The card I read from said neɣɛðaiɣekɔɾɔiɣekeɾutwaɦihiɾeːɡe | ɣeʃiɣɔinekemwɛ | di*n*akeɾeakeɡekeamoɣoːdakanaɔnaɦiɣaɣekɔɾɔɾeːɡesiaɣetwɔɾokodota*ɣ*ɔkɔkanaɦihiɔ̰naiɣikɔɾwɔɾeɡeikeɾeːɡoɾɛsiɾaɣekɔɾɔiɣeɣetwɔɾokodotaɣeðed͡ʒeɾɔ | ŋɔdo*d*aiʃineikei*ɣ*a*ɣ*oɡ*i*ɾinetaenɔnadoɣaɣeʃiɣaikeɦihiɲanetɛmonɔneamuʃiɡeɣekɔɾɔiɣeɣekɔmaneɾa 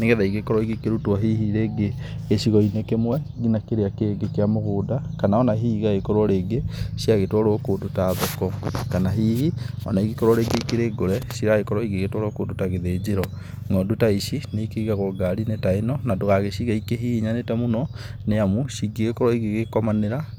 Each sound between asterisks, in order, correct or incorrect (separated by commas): correct, incorrect, incorrect, correct, correct, incorrect